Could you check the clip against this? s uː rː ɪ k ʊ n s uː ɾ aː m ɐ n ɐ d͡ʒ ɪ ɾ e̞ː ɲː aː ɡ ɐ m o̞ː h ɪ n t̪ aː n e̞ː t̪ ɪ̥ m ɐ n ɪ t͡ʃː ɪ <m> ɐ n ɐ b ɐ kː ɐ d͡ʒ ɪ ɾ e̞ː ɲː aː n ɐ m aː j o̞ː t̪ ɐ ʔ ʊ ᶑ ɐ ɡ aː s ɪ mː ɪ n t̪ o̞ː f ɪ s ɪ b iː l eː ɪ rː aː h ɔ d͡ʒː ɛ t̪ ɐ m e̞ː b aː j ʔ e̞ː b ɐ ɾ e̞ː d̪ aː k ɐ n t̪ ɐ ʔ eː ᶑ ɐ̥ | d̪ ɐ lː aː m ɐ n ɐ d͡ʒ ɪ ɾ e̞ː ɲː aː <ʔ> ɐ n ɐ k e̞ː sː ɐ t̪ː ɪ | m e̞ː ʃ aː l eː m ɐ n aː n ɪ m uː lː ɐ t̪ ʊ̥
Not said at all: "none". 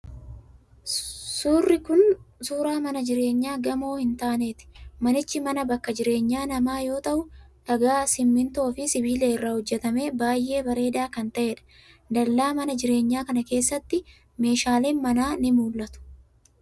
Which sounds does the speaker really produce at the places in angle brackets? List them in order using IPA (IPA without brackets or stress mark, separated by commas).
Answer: m, k